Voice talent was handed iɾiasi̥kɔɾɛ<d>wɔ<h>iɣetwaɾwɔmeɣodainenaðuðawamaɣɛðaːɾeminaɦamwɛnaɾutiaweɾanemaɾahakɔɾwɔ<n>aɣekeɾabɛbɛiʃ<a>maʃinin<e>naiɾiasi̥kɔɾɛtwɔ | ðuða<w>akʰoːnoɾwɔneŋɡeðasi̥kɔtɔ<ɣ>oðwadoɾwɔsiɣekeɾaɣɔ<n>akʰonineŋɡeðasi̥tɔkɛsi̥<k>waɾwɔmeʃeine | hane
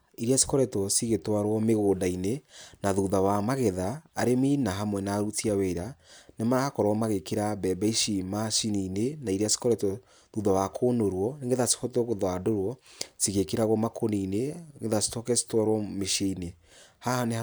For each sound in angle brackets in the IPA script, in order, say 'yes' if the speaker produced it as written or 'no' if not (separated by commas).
no, no, no, no, yes, yes, yes, no, no